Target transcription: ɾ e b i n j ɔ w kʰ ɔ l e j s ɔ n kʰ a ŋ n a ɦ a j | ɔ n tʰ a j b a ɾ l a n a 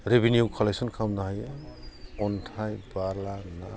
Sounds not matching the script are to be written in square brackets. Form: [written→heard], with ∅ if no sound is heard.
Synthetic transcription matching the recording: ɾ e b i n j [ɔ→u] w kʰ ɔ l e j s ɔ n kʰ a [ŋ→m] n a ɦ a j | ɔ n tʰ a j b a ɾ l a n a